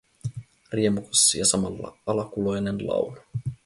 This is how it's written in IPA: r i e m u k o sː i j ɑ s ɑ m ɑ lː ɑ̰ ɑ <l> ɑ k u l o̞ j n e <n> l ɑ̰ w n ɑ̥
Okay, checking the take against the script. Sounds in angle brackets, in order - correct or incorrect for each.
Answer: correct, correct

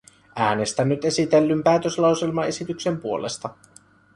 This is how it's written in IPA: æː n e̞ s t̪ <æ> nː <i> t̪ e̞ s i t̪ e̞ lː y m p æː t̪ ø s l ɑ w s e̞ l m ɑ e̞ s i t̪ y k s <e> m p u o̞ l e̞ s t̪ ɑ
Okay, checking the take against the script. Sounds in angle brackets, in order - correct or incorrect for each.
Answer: correct, incorrect, correct

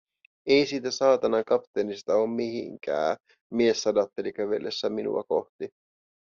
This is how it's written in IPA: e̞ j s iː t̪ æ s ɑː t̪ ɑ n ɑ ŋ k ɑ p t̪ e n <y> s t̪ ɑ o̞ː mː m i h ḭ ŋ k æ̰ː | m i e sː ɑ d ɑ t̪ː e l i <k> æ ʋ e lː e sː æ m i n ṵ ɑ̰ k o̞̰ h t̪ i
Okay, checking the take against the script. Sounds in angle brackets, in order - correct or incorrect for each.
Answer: incorrect, correct

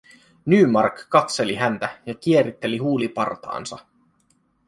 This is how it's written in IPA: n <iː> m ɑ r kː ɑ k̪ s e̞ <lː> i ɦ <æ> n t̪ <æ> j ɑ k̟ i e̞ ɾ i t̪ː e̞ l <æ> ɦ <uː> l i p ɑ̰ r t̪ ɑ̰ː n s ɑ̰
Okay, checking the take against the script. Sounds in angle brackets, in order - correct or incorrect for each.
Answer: incorrect, incorrect, correct, correct, incorrect, correct

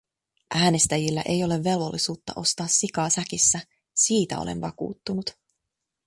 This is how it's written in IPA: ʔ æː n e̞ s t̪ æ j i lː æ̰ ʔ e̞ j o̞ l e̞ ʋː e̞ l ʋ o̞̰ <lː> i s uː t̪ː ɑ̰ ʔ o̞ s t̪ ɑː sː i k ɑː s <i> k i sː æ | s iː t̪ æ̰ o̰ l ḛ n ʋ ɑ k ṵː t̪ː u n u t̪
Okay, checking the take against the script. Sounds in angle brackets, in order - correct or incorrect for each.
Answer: correct, incorrect

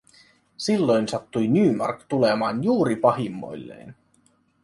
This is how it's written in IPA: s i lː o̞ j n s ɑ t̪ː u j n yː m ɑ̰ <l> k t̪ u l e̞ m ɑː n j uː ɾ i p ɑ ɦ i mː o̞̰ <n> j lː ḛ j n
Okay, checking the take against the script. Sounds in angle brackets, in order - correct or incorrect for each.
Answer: incorrect, incorrect

